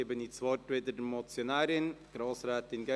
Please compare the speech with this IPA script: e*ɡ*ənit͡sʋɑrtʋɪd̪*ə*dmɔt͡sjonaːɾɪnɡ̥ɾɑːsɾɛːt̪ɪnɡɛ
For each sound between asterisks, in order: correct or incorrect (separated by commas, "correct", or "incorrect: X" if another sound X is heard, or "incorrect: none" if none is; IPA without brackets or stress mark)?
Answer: incorrect: b, correct